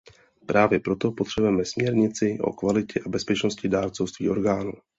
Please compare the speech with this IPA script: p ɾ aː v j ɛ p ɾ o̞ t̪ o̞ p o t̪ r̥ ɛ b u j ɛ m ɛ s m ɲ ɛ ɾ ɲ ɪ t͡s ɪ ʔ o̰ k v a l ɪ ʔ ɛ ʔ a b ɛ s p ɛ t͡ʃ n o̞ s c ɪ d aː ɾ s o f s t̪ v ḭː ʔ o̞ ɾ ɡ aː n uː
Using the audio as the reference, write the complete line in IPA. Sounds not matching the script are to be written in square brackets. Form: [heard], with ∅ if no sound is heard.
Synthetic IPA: p ɾ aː v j ɛ p ɾ o̞ t̪ o̞ p o t̪ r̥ ɛ b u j ɛ m ɛ s m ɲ ɛ ɾ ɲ ɪ t͡s ɪ ʔ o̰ k v a l ɪ [c] ɛ ʔ a b ɛ s p ɛ t͡ʃ n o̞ s c ɪ d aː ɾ [t͡s] o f s t̪ v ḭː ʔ o̞ ɾ ɡ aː n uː